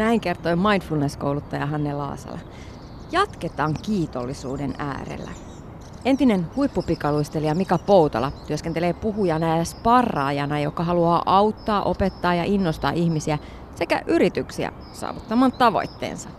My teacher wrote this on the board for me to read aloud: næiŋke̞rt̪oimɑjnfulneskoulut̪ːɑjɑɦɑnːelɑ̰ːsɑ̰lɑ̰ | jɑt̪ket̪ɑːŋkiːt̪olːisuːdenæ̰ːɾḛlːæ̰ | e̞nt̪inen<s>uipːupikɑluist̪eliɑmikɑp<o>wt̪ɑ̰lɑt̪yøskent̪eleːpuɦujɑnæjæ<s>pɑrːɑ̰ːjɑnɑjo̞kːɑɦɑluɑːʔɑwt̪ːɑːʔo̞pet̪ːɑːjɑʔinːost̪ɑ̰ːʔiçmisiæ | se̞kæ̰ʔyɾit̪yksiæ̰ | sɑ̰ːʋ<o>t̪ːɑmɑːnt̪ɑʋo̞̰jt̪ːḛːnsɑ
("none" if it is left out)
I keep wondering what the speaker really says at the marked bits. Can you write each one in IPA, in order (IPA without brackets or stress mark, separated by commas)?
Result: h, o, s, u